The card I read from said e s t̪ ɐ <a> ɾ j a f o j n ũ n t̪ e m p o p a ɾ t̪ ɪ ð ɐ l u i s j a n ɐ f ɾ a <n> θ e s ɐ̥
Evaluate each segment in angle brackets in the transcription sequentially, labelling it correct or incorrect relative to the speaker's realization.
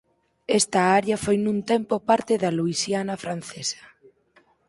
correct, correct

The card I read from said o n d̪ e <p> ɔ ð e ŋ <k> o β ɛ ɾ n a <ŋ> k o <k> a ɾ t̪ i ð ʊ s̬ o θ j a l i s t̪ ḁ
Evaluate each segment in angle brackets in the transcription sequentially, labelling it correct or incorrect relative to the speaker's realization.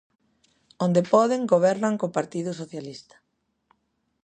correct, incorrect: ɡ, correct, incorrect: p

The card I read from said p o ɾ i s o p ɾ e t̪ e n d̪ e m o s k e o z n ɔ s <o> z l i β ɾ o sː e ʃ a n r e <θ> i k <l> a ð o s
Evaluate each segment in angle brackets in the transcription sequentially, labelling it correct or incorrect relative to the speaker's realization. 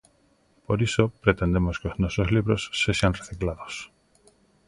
correct, correct, correct

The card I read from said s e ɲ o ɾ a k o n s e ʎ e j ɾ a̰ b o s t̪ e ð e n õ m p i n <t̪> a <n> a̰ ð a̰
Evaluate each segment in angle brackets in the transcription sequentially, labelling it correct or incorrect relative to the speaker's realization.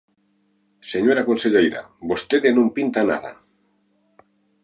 correct, correct

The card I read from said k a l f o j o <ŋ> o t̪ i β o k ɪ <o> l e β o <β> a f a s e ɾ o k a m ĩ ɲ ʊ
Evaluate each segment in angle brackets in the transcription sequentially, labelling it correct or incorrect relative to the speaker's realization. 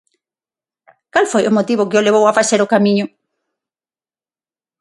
incorrect: m, correct, incorrect: w

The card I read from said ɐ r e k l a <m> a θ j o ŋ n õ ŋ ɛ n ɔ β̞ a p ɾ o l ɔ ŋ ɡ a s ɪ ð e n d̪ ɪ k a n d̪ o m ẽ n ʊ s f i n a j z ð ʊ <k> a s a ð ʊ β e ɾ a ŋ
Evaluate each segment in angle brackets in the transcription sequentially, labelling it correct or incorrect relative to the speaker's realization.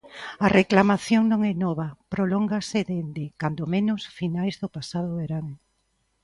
correct, incorrect: p

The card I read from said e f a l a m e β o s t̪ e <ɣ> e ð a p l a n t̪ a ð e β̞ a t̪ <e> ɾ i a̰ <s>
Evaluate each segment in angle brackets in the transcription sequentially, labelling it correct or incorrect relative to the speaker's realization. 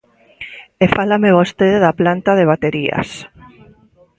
incorrect: ð, correct, correct

